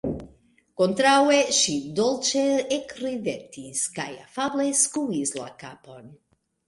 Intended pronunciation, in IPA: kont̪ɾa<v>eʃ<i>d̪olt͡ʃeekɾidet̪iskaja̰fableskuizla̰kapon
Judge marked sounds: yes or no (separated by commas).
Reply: no, yes